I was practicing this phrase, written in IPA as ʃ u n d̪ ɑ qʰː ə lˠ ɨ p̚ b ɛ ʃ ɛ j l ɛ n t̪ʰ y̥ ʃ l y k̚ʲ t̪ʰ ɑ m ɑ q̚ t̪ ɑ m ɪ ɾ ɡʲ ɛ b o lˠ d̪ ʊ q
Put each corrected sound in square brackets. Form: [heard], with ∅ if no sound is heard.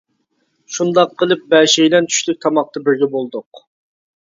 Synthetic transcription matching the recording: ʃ u n d̪ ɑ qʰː ə lˠ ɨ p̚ b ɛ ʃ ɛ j l ɛ n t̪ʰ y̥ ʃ l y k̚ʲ t̪ʰ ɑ m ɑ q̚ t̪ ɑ [b] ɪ ɾ ɡʲ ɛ b o lˠ d̪ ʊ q